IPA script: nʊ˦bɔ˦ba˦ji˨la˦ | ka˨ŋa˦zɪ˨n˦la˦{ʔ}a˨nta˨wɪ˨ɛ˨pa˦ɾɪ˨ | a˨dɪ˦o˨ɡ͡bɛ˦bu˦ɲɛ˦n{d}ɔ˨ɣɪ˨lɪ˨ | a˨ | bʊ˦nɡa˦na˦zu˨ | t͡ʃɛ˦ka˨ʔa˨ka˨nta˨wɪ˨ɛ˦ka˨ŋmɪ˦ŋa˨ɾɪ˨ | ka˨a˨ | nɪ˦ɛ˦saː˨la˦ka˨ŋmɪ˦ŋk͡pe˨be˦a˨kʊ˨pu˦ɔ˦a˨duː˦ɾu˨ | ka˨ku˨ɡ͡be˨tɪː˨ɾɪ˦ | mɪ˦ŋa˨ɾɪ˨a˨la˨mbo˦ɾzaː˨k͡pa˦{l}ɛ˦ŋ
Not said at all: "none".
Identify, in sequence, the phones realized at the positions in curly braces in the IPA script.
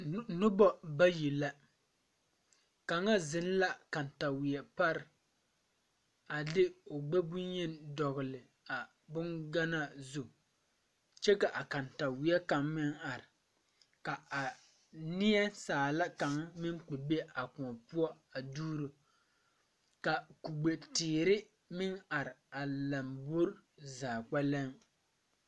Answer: k, d, l

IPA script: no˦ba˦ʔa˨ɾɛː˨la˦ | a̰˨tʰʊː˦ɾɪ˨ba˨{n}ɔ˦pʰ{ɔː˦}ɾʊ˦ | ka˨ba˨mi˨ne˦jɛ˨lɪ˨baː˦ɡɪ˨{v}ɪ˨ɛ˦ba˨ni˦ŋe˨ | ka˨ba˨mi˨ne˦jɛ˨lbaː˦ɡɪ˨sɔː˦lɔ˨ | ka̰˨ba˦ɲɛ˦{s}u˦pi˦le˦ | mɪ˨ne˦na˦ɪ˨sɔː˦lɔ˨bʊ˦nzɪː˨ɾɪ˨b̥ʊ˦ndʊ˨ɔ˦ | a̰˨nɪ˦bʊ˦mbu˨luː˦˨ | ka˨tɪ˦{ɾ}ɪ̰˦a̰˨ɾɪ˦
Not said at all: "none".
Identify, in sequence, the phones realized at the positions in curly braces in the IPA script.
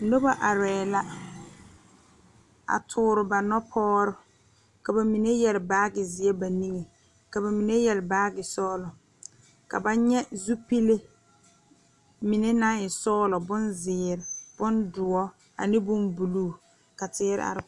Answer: n, ɔː˦, z, z, ɾ

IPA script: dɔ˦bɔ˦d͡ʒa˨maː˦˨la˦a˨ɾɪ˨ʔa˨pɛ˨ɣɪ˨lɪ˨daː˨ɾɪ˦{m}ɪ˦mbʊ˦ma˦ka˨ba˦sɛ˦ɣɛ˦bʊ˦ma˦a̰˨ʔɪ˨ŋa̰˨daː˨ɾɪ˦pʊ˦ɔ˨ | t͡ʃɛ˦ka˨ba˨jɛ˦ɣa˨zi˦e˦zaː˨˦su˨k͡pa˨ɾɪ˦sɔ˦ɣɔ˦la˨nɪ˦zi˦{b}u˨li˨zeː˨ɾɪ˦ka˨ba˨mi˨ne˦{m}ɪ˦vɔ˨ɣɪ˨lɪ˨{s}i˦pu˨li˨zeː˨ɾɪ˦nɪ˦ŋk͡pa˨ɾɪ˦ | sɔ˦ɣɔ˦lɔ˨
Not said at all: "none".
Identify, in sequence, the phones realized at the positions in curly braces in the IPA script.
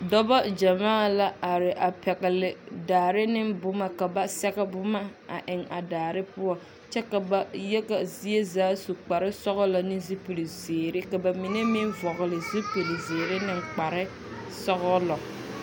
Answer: n, p, m, z

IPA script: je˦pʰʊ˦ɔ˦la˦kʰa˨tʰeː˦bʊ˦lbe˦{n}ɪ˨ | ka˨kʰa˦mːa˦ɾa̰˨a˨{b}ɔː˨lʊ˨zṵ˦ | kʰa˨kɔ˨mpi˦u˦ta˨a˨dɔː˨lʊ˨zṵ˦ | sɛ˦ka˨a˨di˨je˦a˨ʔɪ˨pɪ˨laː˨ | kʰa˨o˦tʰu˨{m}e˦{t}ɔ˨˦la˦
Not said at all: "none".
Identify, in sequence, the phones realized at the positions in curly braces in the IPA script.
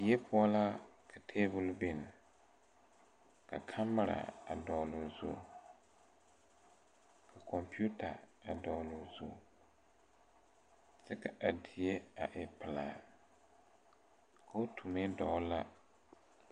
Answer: n, d, m, d

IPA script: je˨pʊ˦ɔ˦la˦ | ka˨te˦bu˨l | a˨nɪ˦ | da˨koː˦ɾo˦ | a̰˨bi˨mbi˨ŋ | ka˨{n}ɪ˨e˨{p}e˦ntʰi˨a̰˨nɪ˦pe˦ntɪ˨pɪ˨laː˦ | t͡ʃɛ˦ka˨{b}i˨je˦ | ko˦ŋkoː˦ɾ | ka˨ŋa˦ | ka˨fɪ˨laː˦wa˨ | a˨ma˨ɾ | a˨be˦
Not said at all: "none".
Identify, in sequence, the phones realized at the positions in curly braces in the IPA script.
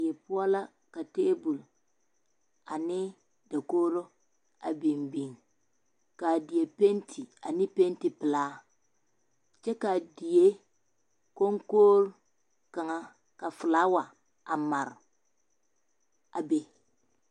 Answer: d, p, d

